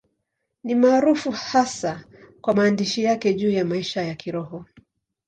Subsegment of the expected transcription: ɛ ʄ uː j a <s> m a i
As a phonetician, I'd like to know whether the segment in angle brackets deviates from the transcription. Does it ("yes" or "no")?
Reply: yes